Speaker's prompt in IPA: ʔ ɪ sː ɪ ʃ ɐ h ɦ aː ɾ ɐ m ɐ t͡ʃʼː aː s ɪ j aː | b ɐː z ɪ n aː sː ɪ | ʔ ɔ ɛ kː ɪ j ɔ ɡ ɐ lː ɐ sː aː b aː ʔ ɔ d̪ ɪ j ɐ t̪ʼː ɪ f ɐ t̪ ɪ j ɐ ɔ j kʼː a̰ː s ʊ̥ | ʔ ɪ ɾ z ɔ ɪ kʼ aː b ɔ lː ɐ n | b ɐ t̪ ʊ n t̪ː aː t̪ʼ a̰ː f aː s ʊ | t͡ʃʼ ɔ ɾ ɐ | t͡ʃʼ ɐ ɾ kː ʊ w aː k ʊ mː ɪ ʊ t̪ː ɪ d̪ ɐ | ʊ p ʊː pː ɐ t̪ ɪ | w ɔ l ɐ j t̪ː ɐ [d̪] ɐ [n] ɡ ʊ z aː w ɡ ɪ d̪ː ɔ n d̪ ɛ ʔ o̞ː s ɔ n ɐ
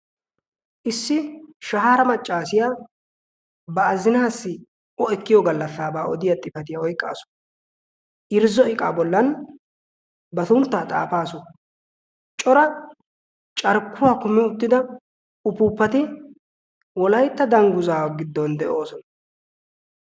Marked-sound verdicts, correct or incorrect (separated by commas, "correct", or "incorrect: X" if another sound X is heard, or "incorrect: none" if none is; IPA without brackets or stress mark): correct, incorrect: ŋ